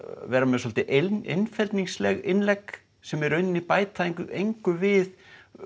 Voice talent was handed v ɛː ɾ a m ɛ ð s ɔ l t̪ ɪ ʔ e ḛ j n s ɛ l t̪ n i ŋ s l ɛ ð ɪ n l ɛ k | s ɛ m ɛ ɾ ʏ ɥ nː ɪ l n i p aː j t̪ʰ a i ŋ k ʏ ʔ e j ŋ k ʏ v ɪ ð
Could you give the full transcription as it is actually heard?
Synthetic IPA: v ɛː ɾ a m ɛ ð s ɔ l t̪ ɪ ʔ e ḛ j n f ɛ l t̪ n i ŋ s l ɛ ɣ ɪ n l ɛ k | s ɛ m ɛ ɾ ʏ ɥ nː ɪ n i p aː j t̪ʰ a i ŋ k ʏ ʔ e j ŋ k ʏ v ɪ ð